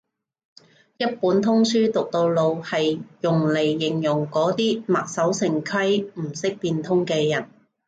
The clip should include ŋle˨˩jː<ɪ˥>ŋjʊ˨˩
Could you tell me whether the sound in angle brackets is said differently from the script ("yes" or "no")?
yes